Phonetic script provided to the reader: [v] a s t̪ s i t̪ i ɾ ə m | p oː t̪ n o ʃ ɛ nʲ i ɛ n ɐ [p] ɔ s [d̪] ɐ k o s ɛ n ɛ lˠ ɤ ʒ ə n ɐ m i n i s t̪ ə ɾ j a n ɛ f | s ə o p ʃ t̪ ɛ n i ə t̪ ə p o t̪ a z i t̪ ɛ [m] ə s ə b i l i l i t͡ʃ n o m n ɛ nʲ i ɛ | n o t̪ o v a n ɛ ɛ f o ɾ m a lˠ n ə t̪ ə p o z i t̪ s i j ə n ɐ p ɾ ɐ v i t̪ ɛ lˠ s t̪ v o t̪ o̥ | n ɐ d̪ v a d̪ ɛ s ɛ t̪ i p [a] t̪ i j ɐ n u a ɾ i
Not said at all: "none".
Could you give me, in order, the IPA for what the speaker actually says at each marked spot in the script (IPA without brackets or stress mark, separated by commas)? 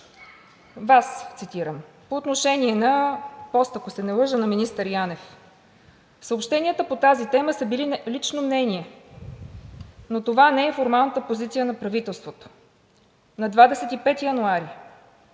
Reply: v, p, t̪, m, ɛ